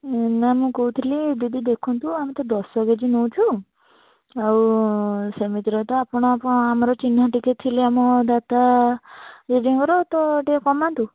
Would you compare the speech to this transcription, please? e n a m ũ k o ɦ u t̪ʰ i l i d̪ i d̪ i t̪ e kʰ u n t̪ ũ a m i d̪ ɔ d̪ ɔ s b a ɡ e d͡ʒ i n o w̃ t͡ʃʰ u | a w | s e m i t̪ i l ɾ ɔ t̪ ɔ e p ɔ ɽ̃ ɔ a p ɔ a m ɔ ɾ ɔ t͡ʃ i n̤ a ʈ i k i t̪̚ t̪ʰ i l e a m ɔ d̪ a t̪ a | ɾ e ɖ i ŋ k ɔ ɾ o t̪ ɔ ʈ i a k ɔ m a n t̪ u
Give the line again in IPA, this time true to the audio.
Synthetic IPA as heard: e n a m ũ k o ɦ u t̪ʰ i l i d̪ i d̪ i d̪ e kʰ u n t̪ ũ a m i t̪ ɔ d̪ ɔ s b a ɡ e d͡ʒ i n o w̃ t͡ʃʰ u | a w | s e m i t̪ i ɾ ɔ t̪ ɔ a p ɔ ɽ̃ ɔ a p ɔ a m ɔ ɾ ɔ t͡ʃ i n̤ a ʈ i k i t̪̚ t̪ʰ i l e a m ɔ d̪ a t̪ a | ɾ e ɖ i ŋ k ɔ ɾ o t̪ ɔ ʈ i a k ɔ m a n t̪ u